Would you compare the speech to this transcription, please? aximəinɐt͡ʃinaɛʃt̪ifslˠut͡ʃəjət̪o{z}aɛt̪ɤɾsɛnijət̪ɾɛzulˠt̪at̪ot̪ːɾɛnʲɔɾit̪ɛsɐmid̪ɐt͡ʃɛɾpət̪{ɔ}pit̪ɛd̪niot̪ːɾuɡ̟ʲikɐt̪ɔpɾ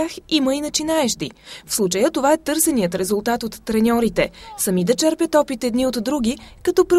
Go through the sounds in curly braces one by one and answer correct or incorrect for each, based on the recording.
incorrect: v, correct

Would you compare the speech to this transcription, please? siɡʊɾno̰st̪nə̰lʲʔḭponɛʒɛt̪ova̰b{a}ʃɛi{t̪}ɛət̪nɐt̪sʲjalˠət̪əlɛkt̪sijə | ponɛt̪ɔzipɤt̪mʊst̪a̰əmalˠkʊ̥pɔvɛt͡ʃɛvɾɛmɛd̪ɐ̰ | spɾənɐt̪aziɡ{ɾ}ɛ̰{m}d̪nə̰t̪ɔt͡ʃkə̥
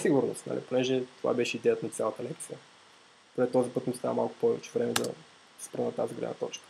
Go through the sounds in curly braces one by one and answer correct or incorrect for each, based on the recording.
incorrect: ɛ, incorrect: d̪, incorrect: l, incorrect: none

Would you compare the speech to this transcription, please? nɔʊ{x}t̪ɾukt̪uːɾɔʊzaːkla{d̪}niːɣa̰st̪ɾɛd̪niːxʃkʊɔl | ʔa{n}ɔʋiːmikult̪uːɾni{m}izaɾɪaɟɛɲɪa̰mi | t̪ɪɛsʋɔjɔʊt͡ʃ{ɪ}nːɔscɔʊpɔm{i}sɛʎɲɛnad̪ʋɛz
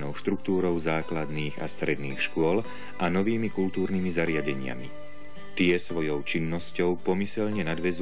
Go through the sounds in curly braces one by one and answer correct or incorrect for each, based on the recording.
incorrect: ʃ, correct, correct, correct, incorrect: i, correct

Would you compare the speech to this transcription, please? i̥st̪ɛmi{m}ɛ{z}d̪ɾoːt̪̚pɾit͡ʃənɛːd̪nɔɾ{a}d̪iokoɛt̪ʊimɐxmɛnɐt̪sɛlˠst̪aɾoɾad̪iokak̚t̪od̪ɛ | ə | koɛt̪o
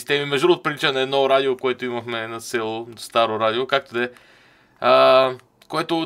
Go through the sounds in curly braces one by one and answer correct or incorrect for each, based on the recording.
correct, incorrect: ʒ, correct

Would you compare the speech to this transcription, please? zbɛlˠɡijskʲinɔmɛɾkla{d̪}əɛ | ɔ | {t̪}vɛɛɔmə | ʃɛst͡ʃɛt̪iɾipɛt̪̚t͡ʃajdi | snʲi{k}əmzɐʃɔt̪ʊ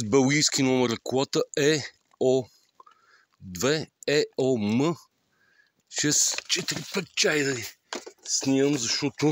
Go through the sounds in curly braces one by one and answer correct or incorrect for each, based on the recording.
incorrect: t̪, incorrect: d̪, incorrect: none

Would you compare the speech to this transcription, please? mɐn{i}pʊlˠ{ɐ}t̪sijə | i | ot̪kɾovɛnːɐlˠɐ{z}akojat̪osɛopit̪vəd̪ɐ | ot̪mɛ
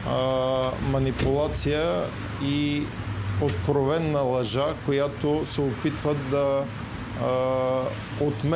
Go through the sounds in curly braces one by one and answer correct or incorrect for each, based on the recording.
correct, incorrect: a, incorrect: ʒ

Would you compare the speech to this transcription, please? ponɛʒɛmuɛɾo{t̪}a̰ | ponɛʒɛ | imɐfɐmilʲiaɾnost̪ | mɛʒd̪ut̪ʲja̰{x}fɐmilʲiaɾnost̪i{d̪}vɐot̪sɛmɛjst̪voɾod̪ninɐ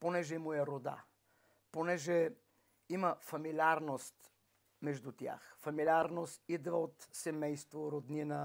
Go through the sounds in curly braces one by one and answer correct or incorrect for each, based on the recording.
incorrect: d̪, correct, correct

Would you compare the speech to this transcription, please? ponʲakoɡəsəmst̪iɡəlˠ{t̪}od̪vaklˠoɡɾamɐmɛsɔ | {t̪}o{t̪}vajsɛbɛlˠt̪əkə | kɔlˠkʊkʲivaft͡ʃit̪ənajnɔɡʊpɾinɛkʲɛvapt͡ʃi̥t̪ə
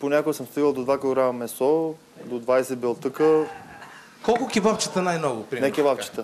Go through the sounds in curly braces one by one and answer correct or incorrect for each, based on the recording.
incorrect: d̪, incorrect: d̪, incorrect: d̪

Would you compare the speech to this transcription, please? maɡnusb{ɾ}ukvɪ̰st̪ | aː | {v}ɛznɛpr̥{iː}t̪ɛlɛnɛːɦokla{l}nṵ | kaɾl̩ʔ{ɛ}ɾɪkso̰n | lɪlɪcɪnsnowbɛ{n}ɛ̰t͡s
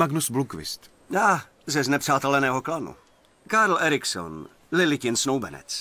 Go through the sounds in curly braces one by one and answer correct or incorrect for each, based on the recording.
incorrect: l, incorrect: z, incorrect: aː, incorrect: none, correct, correct

